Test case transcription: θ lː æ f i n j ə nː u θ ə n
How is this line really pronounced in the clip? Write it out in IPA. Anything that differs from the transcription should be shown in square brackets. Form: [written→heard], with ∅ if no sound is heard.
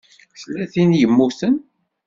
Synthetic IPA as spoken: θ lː æ [f→θ] i n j ə [nː→mː] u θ ə n